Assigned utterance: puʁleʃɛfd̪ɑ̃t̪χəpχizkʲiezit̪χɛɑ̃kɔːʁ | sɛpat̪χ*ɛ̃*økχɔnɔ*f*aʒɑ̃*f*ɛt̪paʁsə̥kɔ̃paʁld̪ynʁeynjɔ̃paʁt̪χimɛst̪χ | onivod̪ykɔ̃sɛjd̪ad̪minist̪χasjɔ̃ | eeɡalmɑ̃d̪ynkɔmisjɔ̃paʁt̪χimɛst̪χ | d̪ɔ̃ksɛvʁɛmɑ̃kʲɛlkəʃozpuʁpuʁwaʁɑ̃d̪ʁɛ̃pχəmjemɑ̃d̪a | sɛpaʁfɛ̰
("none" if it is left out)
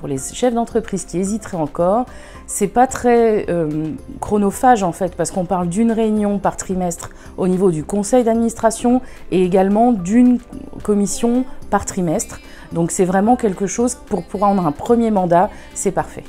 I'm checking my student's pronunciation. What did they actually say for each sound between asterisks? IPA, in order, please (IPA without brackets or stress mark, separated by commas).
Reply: ɛ, f, f